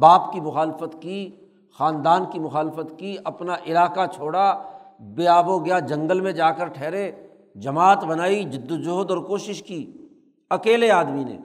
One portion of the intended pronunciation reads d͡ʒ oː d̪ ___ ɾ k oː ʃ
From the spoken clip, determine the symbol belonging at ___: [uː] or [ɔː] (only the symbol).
ɔː